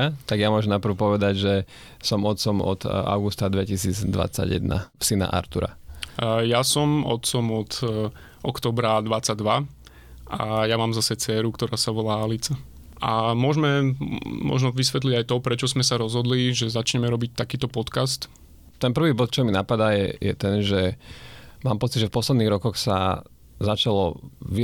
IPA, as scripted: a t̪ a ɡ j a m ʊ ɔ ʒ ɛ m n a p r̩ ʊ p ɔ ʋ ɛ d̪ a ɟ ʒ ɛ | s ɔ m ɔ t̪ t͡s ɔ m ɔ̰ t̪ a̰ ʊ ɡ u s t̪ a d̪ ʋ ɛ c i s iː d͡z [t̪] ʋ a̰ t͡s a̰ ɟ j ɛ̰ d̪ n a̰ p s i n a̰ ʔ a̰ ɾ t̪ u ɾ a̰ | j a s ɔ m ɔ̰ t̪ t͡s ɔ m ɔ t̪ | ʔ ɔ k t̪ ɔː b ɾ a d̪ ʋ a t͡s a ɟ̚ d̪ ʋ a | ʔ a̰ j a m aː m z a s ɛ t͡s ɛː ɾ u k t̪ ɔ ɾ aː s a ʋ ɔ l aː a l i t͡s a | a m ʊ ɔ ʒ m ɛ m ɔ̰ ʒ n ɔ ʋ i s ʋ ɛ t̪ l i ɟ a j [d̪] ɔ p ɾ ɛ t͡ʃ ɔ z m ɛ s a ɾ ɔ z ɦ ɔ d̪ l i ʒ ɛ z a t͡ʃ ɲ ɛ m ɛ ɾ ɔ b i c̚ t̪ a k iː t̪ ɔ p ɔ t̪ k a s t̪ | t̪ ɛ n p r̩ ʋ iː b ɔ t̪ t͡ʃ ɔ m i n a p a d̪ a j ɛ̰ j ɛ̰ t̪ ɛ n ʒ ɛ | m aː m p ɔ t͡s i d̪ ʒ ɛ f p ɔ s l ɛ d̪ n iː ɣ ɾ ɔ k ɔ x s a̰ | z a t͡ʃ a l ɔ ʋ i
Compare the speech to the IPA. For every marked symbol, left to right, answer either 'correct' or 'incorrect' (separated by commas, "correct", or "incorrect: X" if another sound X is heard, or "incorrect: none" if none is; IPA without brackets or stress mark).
incorrect: d̪, incorrect: t̪